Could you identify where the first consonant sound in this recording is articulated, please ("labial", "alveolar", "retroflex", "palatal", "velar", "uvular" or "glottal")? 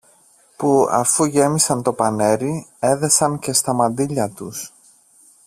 labial